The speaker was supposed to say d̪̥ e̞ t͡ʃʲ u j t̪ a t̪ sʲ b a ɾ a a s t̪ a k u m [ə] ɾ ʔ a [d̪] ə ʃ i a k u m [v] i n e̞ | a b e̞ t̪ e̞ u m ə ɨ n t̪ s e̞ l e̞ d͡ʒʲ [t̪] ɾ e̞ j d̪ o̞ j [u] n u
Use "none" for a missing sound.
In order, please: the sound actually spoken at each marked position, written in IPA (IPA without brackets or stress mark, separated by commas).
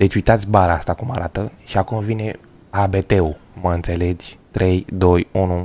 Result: a, t̪, v, t̪, u